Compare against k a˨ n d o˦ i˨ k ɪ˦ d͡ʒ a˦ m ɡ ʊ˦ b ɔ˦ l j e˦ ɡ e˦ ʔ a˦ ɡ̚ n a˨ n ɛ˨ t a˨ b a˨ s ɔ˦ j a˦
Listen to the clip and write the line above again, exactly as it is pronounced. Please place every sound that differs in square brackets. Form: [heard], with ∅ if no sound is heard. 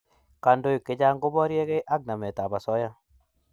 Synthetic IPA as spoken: k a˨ n d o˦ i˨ k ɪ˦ d͡ʒ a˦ [ŋ] ɡ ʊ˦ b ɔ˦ [ɾ] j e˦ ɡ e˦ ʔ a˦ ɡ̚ n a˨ [m] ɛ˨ t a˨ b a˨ s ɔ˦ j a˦